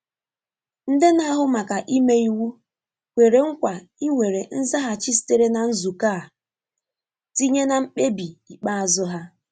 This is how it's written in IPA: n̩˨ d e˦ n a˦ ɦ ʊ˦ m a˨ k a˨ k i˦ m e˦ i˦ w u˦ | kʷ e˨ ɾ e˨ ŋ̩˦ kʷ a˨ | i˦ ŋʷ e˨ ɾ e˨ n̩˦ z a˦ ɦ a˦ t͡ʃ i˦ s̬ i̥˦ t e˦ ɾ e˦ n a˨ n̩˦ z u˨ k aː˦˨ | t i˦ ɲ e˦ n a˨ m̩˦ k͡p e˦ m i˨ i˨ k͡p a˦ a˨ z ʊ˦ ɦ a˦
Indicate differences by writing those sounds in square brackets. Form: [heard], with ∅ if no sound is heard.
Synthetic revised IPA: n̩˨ d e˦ n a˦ ɦ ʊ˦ m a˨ k a˨ [ʔ] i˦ m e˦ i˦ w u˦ | kʷ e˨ ɾ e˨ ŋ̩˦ kʷ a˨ | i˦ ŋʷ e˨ ɾ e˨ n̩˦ z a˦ ɦ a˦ t͡ʃ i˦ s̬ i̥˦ t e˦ ɾ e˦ n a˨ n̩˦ z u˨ k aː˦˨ | t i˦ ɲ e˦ n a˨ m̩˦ k͡p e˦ [b] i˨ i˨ k͡p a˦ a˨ z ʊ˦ ɦ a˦